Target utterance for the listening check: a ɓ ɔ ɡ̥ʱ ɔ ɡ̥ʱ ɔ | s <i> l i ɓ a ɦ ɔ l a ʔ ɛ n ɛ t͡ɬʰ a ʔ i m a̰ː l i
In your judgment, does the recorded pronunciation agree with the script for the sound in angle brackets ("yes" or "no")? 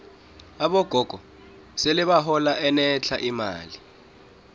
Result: no